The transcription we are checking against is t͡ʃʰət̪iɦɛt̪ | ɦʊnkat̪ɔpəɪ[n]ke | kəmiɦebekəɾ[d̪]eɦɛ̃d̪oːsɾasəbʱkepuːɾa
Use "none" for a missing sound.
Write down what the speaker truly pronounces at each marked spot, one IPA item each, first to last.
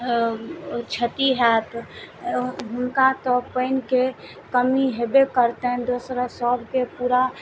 n, t̪

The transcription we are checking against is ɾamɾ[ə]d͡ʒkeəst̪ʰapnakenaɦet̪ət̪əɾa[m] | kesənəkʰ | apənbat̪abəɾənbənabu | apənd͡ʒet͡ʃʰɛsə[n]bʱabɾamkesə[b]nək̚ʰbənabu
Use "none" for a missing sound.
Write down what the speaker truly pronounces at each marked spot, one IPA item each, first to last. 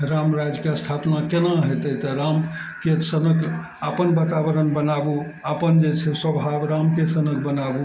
a, m, none, none

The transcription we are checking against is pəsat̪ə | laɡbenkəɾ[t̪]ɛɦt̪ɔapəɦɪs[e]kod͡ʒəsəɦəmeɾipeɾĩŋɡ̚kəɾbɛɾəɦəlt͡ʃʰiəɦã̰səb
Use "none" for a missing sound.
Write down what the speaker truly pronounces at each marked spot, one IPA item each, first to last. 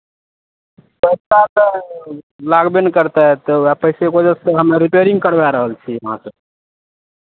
t̪, e

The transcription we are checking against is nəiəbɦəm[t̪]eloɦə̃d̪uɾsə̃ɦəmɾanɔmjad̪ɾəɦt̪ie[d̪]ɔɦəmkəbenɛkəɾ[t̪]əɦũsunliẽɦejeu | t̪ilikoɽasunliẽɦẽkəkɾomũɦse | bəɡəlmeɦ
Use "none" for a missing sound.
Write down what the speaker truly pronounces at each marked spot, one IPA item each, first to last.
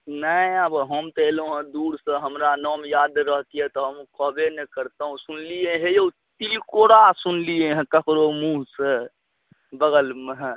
t̪, t̪, t̪

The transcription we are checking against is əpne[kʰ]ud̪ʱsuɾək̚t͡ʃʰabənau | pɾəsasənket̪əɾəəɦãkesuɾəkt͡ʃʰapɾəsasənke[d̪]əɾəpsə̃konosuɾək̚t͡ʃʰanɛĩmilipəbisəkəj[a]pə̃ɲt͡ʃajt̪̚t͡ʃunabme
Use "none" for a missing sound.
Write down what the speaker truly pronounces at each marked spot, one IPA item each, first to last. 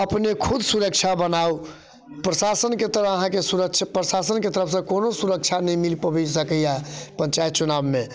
kʰ, t̪, a

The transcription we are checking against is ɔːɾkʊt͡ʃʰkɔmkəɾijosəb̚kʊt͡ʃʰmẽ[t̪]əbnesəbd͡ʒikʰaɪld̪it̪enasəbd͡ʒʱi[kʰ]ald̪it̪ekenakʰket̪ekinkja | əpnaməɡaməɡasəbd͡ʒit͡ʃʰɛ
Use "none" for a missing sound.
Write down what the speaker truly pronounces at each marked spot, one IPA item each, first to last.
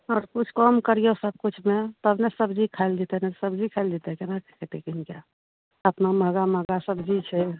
t̪, kʰ

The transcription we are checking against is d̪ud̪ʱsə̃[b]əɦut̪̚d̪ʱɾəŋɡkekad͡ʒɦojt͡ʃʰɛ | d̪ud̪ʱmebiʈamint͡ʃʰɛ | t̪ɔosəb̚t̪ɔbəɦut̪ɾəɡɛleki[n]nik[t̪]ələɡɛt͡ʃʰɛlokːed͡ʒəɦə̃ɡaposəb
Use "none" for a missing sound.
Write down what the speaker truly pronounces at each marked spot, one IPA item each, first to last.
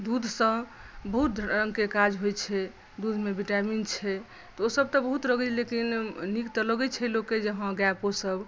b, n, t̪

